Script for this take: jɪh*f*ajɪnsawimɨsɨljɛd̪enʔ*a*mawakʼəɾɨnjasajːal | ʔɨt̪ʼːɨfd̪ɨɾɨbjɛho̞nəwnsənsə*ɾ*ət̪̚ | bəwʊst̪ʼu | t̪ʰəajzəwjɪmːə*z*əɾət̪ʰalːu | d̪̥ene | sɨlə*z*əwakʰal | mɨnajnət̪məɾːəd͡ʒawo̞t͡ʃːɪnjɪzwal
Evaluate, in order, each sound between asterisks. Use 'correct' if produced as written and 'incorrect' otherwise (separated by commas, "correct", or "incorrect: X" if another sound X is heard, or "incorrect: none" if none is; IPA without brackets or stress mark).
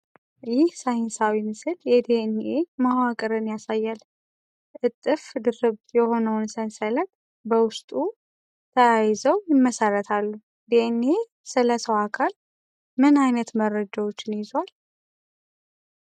incorrect: s, incorrect: e, incorrect: l, incorrect: s, incorrect: s